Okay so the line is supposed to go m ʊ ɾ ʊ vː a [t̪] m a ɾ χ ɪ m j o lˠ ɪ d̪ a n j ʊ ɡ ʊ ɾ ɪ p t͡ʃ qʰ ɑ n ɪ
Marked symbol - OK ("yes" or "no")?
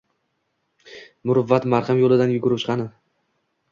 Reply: yes